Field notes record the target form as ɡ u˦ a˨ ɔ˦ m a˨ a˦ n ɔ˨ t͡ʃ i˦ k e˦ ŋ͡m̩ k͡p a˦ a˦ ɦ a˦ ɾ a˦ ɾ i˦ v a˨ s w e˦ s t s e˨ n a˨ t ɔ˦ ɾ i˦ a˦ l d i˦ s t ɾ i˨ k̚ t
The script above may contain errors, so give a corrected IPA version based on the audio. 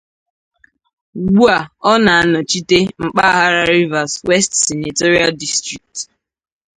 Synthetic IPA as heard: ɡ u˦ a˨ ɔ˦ n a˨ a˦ n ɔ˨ t͡ʃ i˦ t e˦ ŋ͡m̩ k͡p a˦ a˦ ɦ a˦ ɾ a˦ ɾ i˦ v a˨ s w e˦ s t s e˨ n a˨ t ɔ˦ ɾ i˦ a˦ l d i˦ s t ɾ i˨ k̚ t

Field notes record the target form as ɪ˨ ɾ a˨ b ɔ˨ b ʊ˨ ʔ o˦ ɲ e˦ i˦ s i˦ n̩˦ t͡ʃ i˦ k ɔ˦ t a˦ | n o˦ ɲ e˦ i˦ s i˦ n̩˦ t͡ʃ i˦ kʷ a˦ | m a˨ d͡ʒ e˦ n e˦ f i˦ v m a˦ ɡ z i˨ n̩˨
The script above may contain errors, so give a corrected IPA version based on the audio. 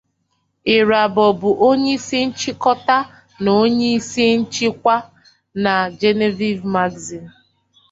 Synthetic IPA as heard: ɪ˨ ɾ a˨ b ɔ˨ b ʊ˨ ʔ o˦ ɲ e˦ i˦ s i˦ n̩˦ t͡ʃ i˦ k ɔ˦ t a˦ | n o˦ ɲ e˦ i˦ s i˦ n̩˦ t͡ʃ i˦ kʷ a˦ | n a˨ d͡ʒ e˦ n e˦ v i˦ v m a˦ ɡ z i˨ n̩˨

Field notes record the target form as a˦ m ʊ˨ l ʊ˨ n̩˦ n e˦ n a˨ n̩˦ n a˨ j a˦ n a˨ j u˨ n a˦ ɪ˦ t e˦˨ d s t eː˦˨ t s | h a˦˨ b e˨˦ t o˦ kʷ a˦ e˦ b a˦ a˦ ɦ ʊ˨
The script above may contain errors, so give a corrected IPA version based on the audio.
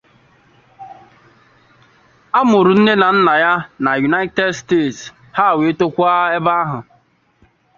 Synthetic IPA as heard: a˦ m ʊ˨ ɾ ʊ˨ n̩˦ n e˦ n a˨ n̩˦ n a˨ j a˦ n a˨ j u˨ n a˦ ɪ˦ t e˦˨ d s t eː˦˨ t s | h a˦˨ w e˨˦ t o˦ kʷ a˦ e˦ b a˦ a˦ ɦ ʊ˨

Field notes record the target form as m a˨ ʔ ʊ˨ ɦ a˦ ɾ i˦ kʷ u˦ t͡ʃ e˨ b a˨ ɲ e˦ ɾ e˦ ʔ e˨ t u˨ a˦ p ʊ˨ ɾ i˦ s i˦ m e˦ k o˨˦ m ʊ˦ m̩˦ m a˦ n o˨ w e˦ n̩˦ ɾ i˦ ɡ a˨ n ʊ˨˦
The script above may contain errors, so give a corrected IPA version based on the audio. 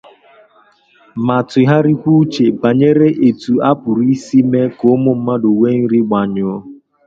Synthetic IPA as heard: m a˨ t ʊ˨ ɦ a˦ ɾ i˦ kʷ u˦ t͡ʃ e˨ b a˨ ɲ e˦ ɾ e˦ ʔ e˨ t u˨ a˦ p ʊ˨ ɾ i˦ s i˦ m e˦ k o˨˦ m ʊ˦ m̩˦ m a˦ d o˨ w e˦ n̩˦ ɾ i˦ ɡ͡b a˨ ɲ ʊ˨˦

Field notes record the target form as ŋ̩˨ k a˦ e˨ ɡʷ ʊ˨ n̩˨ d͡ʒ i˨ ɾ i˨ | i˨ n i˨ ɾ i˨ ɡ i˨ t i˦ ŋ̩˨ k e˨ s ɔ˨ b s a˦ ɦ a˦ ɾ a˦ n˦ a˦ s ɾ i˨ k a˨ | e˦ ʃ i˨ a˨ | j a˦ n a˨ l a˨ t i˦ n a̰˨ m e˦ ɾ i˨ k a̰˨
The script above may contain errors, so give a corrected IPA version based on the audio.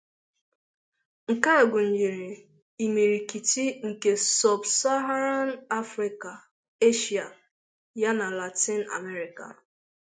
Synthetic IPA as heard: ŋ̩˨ k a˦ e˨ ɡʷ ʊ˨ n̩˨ d͡ʒ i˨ ɾ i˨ | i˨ m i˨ ɾ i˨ k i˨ t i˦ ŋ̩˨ k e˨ s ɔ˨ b s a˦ ɦ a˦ ɾ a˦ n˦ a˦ f ɾ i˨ k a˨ | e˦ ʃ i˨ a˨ | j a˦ n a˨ l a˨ t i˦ n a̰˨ m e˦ ɾ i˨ k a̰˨

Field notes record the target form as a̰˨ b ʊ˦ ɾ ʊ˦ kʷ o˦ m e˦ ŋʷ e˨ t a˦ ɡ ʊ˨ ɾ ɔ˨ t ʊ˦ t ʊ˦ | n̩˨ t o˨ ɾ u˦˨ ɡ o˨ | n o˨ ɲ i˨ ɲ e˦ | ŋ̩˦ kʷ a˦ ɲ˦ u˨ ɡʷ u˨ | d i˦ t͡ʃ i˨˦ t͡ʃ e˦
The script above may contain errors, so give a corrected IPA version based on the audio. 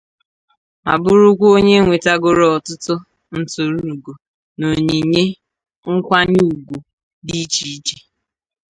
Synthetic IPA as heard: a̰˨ b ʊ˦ ɾ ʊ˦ kʷ o˦ ɲ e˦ ŋʷ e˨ t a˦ ɡ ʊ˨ ɾ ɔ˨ t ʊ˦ t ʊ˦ | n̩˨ t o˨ ɾ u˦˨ ɡ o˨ | n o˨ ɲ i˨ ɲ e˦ | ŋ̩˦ kʷ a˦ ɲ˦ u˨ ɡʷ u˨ | d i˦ t͡ʃ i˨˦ t͡ʃ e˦

